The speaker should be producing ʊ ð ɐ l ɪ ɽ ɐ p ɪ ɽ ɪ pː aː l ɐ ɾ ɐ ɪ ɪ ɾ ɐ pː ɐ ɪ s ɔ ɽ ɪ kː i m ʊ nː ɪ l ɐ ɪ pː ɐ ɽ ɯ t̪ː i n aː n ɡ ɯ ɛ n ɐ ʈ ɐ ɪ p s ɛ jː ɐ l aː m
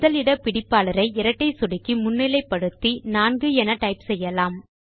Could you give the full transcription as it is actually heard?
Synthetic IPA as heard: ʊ ð ɐ l ɪ ɽ ɐ p ɪ ɽ ɪ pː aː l ɐ ɾ ɐ ɪ ɪ ɾ ɐ ʈː ɐ ɪ s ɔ ɽ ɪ kː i m ʊ nː ɪ l ɐ ɪ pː ɐ ɽ ɯ t̪ː i n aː n ɡ ɯ ɛ n ɐ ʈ ɐ ɪ p s ɛ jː ɐ l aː m